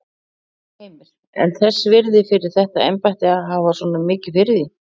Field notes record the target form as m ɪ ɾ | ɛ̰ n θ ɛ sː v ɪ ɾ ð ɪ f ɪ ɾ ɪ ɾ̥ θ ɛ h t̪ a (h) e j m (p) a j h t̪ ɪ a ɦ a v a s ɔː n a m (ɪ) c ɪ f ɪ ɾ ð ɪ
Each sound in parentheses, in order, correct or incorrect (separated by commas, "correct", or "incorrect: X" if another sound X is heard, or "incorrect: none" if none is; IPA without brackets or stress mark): incorrect: none, correct, incorrect: ɪː